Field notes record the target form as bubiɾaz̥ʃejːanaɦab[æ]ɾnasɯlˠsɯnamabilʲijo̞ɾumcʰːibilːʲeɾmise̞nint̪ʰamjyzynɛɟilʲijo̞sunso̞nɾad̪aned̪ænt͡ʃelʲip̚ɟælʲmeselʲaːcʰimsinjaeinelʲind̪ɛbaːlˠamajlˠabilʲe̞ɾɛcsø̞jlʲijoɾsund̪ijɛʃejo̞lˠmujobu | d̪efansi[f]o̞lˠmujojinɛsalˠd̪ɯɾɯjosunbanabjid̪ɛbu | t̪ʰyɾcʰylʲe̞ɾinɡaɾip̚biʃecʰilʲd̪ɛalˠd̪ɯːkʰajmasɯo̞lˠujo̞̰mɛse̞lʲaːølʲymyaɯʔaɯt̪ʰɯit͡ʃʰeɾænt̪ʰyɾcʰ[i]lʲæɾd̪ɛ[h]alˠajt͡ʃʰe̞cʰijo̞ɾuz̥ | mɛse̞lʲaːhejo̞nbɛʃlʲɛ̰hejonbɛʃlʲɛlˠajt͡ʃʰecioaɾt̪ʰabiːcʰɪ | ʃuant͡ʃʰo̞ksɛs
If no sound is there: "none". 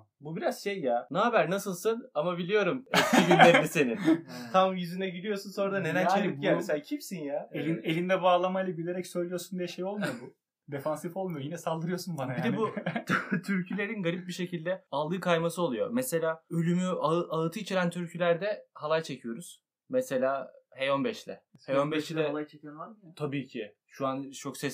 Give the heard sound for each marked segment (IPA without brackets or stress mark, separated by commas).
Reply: æ, f, y, h